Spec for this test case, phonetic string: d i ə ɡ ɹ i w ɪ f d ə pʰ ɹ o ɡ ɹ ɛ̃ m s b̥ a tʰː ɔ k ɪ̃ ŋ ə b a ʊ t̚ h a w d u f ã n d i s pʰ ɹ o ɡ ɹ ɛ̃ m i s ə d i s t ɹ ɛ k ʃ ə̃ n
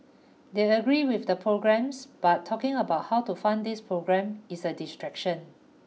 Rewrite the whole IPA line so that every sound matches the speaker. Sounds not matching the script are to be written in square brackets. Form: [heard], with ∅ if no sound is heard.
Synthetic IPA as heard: d [e] ə ɡ ɹ i w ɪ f d ə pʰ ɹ o ɡ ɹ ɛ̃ m s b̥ a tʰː ɔ k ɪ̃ ŋ ə b a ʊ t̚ h a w [t] u f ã n d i s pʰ ɹ o ɡ ɹ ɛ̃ m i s ə d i s t ɹ ɛ k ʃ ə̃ n